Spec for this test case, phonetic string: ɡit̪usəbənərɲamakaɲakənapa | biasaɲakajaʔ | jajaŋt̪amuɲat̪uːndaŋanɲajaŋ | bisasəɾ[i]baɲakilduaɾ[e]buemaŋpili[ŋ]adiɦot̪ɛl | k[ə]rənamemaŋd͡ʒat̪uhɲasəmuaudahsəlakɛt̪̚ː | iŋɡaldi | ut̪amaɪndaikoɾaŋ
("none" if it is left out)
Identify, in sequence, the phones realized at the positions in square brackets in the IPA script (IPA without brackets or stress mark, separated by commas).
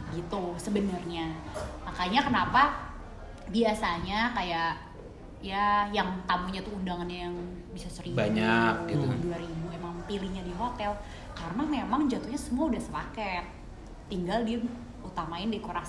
i, i, ɲ, a